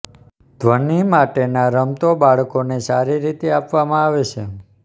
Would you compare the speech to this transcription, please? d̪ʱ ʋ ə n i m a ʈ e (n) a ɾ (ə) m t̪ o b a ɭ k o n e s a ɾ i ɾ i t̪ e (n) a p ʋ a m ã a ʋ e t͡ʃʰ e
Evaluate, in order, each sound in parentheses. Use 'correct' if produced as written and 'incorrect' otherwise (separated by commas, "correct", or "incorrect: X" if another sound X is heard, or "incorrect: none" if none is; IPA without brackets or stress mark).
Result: correct, correct, incorrect: none